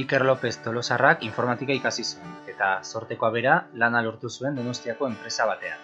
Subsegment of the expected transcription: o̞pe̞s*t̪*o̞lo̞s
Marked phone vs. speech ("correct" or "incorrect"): correct